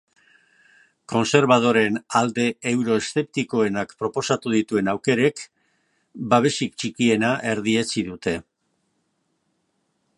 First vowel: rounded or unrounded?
rounded